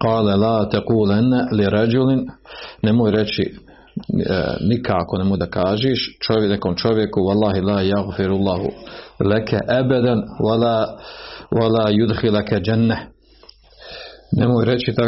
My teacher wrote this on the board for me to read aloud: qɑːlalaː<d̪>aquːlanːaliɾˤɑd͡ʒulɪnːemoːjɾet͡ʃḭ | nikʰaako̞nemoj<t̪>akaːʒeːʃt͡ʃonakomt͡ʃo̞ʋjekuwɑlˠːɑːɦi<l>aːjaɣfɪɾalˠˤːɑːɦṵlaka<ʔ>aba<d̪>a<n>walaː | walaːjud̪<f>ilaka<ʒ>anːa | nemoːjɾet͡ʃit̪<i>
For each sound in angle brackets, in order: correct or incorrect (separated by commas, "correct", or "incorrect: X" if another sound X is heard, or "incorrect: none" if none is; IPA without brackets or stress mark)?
incorrect: t̪, incorrect: d̪, correct, correct, correct, correct, incorrect: x, incorrect: d͡ʒ, incorrect: a